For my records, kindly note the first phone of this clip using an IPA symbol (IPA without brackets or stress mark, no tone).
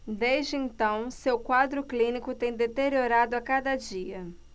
d̪